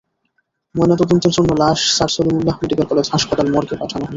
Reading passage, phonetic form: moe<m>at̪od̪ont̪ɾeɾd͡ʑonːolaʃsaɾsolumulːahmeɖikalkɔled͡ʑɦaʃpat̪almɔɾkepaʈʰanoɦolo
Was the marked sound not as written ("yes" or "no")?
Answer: yes